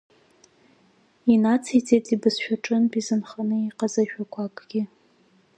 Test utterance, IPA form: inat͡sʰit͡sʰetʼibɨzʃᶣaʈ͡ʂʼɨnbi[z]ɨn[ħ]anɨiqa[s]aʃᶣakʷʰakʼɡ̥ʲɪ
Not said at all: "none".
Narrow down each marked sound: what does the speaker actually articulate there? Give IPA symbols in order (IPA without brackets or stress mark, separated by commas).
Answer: z, χ, z